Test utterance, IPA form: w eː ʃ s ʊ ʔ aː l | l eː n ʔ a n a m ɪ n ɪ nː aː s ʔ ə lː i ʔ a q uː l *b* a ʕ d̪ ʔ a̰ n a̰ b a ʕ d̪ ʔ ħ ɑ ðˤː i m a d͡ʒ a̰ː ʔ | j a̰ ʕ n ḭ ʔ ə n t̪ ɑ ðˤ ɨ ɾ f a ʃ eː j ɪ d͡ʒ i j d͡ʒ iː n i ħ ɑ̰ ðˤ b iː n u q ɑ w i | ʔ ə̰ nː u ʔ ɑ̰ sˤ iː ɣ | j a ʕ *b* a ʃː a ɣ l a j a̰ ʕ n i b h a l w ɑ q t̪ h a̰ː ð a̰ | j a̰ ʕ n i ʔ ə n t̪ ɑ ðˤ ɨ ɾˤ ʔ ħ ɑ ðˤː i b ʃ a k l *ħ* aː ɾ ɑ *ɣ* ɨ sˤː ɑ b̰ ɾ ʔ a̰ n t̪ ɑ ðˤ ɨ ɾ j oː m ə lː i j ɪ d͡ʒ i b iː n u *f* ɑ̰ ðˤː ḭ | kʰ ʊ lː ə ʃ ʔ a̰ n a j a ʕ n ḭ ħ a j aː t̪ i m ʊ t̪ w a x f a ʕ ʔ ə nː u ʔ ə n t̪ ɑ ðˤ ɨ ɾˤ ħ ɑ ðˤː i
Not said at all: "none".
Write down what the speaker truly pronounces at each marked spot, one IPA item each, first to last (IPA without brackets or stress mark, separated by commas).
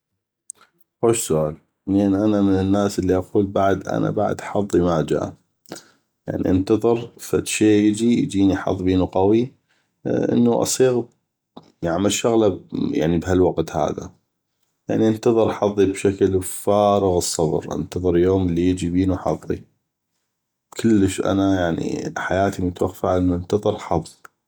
b, m, f, ɣ, ħ